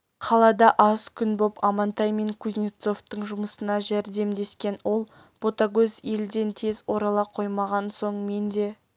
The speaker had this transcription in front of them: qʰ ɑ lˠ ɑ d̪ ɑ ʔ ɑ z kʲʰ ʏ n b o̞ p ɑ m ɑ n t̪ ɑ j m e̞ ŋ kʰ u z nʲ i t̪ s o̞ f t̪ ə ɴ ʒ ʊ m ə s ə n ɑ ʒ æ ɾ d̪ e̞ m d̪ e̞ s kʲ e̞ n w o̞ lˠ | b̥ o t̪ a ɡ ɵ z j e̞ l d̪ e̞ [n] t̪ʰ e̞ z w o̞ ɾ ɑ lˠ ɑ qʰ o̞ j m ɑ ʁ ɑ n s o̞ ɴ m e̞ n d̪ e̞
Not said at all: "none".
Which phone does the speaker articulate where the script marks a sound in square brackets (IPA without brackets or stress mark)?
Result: n